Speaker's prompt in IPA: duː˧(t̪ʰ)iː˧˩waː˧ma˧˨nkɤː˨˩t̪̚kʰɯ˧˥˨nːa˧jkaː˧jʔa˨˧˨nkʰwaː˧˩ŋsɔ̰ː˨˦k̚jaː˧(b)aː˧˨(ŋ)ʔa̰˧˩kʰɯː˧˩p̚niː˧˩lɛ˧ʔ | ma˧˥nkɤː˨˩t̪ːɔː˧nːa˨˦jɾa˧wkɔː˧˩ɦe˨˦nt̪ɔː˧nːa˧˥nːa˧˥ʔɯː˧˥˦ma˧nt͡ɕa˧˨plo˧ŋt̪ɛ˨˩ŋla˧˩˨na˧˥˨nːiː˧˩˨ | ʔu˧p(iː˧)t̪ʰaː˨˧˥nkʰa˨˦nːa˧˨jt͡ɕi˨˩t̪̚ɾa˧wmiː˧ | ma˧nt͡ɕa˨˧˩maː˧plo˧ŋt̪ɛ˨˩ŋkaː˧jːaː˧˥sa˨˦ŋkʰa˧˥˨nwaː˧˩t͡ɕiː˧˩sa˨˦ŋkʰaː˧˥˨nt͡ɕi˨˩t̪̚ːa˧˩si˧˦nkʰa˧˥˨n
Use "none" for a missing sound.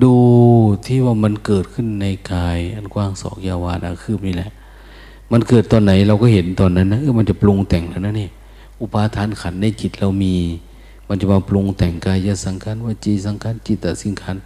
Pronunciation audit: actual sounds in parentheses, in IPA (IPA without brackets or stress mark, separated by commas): t̪ʰ, w, n, aː˧